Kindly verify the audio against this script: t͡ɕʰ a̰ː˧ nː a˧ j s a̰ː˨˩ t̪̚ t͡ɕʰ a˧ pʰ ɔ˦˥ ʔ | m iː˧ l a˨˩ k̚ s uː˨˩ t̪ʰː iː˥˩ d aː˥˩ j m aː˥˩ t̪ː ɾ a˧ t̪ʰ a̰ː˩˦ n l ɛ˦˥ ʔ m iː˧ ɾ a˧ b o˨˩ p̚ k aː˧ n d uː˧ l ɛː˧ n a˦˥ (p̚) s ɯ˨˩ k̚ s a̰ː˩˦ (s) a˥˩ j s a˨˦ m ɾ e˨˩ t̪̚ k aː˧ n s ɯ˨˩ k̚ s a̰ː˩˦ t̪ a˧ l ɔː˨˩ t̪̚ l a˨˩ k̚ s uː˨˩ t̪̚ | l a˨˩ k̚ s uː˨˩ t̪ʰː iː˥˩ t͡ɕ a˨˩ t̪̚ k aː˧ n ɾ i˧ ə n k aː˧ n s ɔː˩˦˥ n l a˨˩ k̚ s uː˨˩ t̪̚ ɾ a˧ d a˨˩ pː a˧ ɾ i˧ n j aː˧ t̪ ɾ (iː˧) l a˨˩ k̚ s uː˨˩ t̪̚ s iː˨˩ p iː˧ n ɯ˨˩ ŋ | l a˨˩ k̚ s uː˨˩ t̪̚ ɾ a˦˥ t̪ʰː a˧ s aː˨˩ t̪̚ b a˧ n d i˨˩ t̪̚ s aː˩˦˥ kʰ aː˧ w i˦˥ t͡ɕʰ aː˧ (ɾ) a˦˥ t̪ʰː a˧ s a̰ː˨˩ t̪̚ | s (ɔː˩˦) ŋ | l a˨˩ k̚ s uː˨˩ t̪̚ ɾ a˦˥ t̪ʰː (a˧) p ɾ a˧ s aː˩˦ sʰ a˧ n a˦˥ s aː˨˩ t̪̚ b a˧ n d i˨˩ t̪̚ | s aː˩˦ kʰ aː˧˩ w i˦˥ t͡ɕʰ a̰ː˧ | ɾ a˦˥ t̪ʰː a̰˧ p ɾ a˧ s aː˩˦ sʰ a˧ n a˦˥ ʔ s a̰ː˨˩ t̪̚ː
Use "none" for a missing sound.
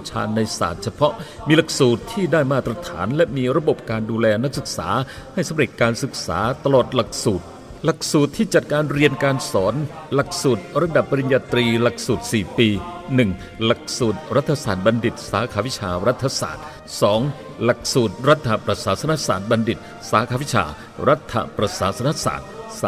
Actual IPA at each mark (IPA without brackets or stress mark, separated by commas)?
k̚, h, iː˧, ɾ, ɔː˩˦, a˧